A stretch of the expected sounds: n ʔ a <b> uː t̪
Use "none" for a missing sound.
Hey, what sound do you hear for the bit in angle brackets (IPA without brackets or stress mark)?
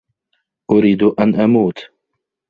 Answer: m